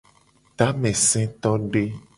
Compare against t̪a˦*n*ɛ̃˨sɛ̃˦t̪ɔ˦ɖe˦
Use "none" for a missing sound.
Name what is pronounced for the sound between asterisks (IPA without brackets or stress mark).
m